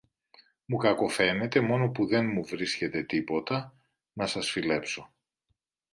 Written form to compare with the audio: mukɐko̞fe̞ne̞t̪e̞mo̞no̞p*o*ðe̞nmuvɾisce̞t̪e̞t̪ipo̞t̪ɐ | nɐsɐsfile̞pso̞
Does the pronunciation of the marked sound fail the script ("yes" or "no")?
yes